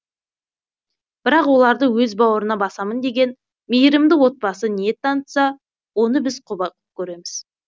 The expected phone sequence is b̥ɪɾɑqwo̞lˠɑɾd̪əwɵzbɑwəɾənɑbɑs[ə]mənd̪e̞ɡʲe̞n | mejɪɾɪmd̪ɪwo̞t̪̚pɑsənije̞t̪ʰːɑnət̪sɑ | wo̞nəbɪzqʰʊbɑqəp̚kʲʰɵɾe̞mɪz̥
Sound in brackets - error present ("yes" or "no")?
yes